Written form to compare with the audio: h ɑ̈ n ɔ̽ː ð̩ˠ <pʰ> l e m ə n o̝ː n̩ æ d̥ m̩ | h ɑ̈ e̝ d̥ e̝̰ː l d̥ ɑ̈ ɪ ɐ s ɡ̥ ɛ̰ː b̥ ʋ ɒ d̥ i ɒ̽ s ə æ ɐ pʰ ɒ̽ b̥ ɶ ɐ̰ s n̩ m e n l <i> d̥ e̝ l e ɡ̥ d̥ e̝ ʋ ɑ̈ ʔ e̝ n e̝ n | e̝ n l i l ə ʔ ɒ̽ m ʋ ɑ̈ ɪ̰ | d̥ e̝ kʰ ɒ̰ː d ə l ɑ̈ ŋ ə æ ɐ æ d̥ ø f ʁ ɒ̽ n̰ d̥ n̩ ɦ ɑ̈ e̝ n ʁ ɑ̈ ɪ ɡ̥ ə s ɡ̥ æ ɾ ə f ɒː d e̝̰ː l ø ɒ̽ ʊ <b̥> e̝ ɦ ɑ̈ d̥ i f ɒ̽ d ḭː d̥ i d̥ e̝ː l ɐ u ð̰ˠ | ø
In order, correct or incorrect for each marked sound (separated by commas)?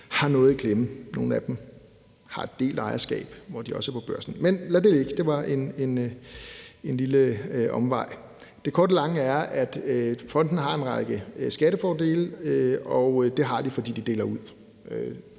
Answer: incorrect, incorrect, incorrect